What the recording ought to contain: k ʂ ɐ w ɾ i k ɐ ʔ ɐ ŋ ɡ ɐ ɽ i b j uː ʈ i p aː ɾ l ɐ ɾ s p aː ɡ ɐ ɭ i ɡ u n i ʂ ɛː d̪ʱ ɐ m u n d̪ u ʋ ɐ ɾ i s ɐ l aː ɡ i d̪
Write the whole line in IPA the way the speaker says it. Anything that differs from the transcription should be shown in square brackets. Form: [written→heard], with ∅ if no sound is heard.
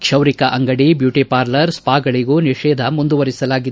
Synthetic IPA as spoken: k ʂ ɐ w ɾ i k ɐ ʔ ɐ ŋ ɡ ɐ ɽ i b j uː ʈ i p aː ɾ l ɐ ɾ s p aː ɡ ɐ ɭ i ɡ u n i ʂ ɛː d̪ʱ ɐ m u n d̪ u ʋ ɐ ɾ i s ɐ l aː ɡ i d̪

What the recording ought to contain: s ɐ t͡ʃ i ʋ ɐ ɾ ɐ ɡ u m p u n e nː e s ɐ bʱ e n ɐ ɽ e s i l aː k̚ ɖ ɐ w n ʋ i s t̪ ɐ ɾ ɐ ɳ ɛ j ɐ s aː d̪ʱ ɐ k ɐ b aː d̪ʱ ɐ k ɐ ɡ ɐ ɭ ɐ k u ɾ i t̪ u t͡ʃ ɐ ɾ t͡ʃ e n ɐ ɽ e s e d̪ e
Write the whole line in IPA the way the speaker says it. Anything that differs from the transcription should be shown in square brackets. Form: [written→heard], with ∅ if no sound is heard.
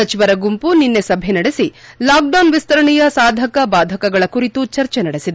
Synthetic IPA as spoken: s ɐ t͡ʃ i ʋ ɐ ɾ ɐ ɡ u m p u n [e→i] nː e s ɐ bʱ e n ɐ ɽ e s i l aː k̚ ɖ ɐ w n ʋ i s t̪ ɐ ɾ ɐ ɳ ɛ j ɐ s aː d̪ʱ ɐ k ɐ b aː d̪ʱ ɐ k ɐ ɡ ɐ ɭ ɐ k u ɾ i t̪ u t͡ʃ ɐ ɾ t͡ʃ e n ɐ ɽ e s [e→i] d̪ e

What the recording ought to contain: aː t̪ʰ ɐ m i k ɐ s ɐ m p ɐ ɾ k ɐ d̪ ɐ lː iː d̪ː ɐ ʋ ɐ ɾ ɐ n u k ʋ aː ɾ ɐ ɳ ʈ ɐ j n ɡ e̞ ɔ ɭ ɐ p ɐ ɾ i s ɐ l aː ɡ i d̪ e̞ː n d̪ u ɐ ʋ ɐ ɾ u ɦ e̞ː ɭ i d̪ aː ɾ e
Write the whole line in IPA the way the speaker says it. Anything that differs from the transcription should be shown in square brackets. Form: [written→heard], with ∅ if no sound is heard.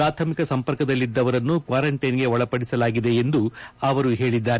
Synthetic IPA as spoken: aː t̪ʰ ɐ m i k ɐ s ɐ m p ɐ ɾ k ɐ d̪ ɐ lː [iː→i] d̪ː ɐ ʋ ɐ ɾ ɐ [n→nː] u k ʋ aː ɾ ɐ ɳ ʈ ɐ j n ɡ e̞ ɔ ɭ ɐ p ɐ [ɾ→ɽ] i s ɐ l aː ɡ i d̪ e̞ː n d̪ u ɐ ʋ ɐ ɾ u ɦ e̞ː ɭ i [d̪→d̪ː] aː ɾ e

